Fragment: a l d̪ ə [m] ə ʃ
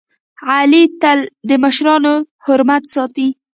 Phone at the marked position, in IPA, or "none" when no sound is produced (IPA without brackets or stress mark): m